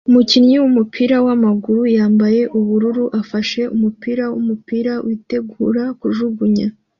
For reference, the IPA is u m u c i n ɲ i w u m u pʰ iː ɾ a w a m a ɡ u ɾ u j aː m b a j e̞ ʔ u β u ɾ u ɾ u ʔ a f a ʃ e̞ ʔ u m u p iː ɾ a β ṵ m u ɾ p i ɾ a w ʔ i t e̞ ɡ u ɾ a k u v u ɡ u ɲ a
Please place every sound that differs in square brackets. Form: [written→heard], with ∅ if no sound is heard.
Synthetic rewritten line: u m u c i n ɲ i w u m u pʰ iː ɾ a w a m a ɡ u ɾ u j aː m b a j e̞ ʔ u β u ɾ u ɾ u ʔ a f a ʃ e̞ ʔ u m u p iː ɾ a [β→w] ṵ m u [ɾ→∅] p i ɾ a w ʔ i t e̞ ɡ u ɾ a k u [v→ʒ] u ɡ u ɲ a